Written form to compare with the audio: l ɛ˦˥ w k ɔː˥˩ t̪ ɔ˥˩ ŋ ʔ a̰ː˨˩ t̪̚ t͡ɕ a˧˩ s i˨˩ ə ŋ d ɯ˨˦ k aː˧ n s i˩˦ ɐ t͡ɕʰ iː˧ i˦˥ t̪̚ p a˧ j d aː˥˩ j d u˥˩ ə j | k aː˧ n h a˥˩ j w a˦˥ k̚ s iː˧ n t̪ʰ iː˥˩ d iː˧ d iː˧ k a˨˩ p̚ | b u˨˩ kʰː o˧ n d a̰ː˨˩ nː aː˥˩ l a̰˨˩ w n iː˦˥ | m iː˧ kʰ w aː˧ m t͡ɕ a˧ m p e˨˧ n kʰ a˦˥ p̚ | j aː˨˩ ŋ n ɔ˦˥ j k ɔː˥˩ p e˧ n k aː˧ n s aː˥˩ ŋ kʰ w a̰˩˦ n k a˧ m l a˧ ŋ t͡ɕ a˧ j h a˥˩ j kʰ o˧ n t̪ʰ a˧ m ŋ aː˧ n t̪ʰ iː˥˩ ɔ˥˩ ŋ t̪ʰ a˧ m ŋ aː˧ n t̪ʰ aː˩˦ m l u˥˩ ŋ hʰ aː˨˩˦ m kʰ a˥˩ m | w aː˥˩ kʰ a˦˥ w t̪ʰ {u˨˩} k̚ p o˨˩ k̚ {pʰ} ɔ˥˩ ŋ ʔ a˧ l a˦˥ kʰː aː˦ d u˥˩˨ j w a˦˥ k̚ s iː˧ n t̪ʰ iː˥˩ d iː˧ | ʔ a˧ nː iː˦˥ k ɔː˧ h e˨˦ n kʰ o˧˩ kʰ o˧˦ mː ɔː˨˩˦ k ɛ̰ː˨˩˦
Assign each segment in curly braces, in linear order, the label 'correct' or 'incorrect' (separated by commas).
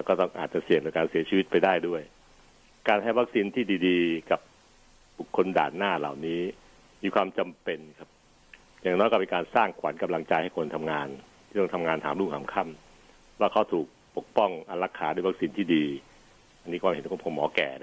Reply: incorrect, incorrect